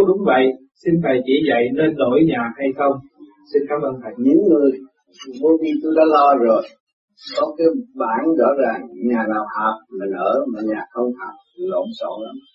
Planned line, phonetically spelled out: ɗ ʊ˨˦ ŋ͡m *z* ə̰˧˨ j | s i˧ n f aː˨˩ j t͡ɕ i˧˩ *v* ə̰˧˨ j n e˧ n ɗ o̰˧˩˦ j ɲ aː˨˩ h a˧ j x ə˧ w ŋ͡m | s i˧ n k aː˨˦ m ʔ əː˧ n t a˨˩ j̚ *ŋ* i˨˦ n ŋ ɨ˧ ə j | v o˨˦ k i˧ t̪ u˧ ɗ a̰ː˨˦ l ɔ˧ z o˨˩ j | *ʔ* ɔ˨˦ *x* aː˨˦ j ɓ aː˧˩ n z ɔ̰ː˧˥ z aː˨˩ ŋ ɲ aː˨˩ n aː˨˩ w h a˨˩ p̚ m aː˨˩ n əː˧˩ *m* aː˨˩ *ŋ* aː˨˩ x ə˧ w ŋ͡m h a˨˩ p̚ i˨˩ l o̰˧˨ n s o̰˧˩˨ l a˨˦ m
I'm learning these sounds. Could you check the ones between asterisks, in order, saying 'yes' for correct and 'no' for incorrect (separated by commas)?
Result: no, no, no, no, no, yes, no